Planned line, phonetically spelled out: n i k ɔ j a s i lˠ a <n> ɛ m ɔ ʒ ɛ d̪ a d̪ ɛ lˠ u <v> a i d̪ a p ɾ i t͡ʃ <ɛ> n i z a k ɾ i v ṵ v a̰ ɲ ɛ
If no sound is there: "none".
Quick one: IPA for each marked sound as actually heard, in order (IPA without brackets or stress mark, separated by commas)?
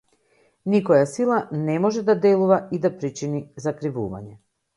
n, v, i